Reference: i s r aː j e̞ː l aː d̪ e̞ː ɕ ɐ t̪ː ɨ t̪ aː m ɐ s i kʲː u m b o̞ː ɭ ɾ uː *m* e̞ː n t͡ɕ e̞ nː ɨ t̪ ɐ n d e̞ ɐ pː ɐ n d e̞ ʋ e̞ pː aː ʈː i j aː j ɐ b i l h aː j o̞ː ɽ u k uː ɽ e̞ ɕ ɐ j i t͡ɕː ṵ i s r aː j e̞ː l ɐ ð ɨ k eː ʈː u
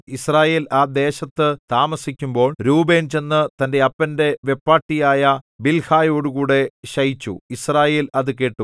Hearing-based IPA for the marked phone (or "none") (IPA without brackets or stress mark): b